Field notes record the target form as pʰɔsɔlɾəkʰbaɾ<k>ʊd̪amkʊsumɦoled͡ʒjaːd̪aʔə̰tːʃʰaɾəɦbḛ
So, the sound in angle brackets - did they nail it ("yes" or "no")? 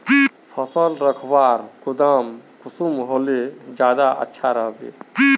yes